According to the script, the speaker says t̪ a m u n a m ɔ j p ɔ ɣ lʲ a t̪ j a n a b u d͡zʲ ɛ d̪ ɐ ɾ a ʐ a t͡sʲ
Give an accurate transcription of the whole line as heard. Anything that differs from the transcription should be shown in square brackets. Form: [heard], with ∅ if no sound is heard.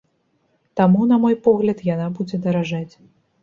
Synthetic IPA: t̪ a m u n [ɐ] m ɔ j p ɔ ɣ lʲ [ɐ] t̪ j a n a b u d͡zʲ ɛ d̪ ɐ ɾ a ʐ a t͡sʲ